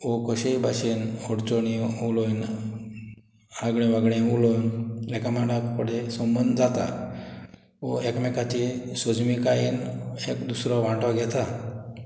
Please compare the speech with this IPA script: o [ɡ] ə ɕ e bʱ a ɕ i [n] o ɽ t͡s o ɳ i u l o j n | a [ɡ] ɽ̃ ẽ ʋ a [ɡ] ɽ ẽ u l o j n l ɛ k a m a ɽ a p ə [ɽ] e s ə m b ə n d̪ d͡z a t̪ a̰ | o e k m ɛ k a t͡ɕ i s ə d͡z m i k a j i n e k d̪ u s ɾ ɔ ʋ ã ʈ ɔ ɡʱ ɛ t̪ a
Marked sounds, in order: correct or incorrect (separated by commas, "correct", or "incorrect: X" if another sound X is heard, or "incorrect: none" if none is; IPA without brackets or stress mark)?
incorrect: k, correct, correct, correct, correct